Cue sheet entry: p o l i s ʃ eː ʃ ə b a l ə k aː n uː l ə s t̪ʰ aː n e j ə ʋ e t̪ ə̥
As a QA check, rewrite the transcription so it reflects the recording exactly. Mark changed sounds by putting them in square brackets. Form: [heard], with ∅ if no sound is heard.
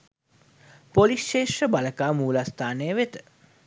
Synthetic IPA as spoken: p o l i s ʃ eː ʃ ə b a l ə k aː [m] uː l [a] s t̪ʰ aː n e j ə ʋ e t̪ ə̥